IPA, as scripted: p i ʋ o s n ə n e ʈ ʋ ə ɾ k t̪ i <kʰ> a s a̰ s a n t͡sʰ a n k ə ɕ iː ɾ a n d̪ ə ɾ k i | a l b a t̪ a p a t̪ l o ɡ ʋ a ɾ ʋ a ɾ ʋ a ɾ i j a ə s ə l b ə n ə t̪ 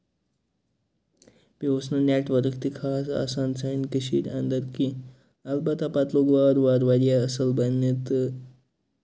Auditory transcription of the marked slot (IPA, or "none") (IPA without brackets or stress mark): kʰ